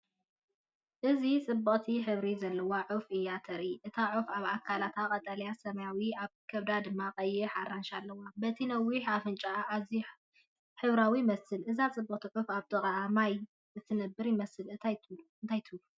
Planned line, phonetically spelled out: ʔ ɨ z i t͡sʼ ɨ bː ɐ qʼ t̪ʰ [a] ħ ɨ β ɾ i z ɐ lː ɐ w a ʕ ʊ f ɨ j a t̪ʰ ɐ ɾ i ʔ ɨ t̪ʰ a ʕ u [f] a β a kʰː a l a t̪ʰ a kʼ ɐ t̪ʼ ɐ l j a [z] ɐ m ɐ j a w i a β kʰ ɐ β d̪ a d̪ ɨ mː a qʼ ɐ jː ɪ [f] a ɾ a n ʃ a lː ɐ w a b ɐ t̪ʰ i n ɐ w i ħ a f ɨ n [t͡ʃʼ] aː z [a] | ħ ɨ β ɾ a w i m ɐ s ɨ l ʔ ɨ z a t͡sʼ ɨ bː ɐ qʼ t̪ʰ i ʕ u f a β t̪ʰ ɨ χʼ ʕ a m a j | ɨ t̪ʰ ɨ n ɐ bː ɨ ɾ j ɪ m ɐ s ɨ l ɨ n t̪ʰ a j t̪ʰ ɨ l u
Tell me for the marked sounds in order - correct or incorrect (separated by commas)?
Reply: incorrect, correct, incorrect, incorrect, correct, incorrect